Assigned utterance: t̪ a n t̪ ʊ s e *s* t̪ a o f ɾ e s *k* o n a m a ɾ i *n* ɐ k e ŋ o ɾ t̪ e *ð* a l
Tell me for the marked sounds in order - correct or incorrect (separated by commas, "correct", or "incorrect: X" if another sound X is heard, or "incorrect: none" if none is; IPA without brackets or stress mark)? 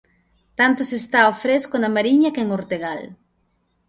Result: correct, correct, incorrect: ɲ, incorrect: ɣ